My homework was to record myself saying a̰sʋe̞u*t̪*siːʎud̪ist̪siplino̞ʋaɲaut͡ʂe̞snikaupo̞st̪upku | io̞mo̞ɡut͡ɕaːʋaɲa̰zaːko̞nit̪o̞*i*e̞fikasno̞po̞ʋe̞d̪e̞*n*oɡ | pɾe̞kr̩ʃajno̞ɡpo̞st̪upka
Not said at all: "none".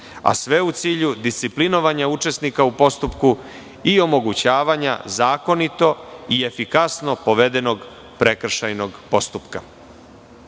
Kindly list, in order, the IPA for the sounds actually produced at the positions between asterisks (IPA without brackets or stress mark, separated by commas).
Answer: t̪, i, n